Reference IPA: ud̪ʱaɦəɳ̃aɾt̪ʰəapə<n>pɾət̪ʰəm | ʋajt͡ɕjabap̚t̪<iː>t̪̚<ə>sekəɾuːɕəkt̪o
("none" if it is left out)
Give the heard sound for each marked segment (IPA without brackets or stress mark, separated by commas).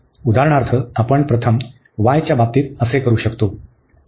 ɳ, iː, ə